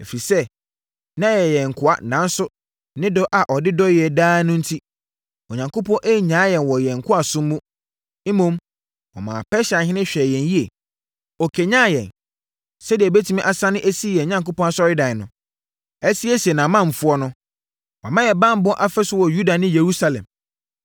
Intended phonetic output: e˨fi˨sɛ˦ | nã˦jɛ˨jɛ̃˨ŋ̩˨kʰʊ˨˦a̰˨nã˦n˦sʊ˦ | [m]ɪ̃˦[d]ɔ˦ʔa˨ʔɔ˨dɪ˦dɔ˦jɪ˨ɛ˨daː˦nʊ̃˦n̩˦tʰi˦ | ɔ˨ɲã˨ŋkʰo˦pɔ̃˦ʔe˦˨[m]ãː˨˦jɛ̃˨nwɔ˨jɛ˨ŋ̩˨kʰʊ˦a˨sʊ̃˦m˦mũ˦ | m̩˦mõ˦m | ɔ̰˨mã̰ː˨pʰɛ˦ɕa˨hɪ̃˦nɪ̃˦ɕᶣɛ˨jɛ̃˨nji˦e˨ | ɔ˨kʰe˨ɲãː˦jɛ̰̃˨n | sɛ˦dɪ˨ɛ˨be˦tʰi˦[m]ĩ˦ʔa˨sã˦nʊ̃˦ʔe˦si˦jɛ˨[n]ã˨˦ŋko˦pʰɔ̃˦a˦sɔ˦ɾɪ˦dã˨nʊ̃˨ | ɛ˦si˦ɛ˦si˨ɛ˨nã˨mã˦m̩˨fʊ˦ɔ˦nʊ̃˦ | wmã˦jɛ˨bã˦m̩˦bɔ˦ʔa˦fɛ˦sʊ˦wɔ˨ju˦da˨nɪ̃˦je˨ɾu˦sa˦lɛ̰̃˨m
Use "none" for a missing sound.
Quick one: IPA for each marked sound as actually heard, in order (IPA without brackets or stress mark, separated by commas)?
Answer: n, d, ɲ, m, ɲ